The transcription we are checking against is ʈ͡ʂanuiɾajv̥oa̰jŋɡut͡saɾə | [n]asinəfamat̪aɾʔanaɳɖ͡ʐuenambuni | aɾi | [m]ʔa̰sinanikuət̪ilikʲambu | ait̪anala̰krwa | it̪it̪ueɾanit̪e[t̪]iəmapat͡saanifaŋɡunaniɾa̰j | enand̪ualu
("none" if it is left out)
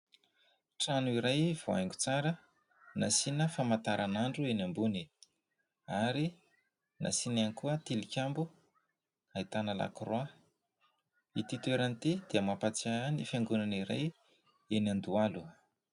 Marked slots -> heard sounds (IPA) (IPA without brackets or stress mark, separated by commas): n, n, d̪